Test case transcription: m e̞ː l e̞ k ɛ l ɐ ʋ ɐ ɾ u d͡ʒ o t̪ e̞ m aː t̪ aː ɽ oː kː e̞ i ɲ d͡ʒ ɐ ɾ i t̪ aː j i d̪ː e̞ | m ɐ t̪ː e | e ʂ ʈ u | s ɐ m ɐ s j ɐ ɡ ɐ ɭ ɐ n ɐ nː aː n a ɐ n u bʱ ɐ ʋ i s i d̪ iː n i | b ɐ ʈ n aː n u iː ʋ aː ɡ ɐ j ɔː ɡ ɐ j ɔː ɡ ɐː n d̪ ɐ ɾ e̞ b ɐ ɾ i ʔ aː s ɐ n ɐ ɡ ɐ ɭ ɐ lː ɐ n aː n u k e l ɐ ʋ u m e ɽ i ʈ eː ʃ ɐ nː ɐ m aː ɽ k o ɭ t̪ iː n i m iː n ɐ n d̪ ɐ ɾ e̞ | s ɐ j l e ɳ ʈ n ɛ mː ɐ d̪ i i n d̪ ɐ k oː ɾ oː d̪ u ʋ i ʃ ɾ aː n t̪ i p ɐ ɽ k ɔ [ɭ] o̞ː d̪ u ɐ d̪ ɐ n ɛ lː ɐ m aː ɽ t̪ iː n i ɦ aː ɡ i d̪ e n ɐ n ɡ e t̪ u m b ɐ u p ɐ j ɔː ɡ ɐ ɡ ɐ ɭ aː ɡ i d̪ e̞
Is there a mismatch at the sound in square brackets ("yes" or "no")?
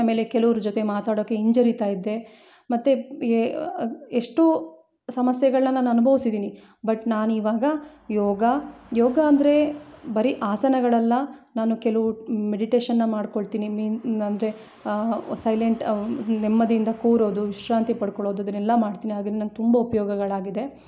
no